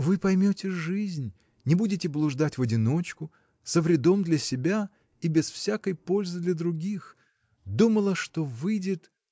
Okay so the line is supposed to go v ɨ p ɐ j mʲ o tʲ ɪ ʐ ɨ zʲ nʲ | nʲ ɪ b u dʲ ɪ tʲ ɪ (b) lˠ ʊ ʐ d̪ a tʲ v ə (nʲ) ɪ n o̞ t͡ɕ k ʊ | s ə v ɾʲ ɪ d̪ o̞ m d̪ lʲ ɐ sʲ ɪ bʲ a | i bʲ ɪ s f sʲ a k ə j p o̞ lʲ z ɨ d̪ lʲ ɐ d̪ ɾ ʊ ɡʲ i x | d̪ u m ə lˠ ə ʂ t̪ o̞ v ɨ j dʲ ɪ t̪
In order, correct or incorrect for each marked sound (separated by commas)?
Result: correct, incorrect